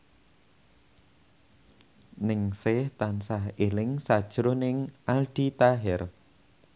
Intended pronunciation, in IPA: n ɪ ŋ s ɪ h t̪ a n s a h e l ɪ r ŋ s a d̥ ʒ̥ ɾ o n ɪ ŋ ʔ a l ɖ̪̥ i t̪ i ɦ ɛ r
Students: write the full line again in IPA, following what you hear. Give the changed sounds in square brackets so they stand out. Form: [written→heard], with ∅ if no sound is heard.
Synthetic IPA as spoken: n ɪ ŋ s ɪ h t̪ a n s a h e l ɪ [r→∅] ŋ s a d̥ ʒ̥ ɾ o n ɪ ŋ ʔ a l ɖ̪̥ i t̪ [i→a] ɦ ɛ r